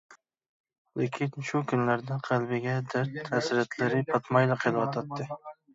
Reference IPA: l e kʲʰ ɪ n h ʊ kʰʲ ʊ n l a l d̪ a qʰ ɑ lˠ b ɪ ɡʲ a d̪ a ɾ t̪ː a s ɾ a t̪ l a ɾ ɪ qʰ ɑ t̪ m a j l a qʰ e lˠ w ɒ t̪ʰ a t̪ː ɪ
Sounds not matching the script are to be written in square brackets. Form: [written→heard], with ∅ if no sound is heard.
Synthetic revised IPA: l e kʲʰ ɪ n [h→ʃ] ʊ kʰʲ ʊ n l a [l→ɾ] d̪ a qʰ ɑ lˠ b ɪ ɡʲ a d̪ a ɾ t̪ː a s ɾ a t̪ l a ɾ ɪ [qʰ→pʰ] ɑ t̪ m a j l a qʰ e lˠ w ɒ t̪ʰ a t̪ː ɪ